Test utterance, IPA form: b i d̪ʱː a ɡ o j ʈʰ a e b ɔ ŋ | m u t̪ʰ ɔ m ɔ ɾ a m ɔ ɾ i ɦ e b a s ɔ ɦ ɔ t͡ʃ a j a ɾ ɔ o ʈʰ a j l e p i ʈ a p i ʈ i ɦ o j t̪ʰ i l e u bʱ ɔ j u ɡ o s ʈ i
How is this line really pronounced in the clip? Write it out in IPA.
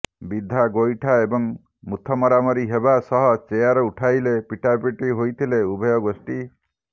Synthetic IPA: b i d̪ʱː a ɡ o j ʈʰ a e b ɔ ŋ | m u t̪ʰ ɔ m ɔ ɾ a m ɔ ɾ i ɦ e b a s ɔ ɦ ɔ t͡ʃ e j a ɾ ɔ u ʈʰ a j l e p i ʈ a p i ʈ i ɦ o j t̪ʰ i l e u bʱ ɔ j ɔ ɡ o s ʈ i